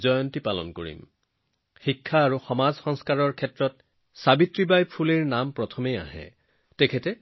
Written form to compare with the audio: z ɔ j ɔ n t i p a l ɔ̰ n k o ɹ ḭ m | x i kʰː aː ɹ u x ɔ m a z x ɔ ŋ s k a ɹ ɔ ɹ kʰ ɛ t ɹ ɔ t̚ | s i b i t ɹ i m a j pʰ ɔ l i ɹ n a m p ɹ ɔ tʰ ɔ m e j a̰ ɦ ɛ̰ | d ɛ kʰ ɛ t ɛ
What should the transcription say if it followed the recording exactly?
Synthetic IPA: z ɔ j ɔ n t i p a l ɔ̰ n k o ɹ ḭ m | x i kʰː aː ɹ u x ɔ m a z x ɔ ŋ s k a ɹ ɔ ɹ kʰ ɛ t ɹ ɔ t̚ | s a b i t ɹ i b a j pʰ u l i ɹ n a m p ɹ ɔ tʰ ɔ m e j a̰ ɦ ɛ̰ | t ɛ kʰ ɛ t ɛ